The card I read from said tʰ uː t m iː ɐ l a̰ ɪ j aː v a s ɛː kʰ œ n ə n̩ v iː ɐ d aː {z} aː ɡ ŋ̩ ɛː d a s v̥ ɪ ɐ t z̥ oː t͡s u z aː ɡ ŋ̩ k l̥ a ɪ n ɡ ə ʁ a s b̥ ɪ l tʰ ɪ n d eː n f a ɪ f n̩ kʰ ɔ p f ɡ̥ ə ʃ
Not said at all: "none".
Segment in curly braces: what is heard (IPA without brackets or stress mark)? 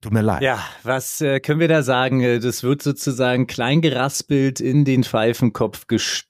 z